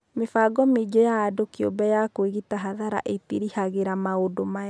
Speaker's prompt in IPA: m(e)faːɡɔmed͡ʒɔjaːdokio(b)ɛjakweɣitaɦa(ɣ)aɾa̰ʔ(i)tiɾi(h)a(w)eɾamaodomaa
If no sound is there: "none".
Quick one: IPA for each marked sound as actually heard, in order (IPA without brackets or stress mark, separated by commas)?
e, b, ð, e, h, ɣ